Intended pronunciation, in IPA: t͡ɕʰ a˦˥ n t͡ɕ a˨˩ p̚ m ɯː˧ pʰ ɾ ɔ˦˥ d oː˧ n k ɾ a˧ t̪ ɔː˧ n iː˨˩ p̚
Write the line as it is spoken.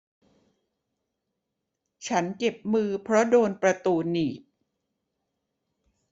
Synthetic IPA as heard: t͡ɕʰ a˦˥ n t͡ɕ e˨˩ p̚ m ɯː˧ pʰ ɾ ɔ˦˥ d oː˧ n p ɾ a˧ t̪ uː˧ n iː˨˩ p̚